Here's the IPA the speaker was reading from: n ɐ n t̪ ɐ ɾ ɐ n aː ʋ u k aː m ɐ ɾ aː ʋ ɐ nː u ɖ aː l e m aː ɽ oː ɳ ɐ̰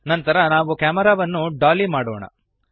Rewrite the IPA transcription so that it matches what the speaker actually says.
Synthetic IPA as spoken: n ɐ n t̪ ɐ ɾ ɐ n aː ʋ u k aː m ɐ ɾ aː ʋ ɐ nː u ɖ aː l i m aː ɽ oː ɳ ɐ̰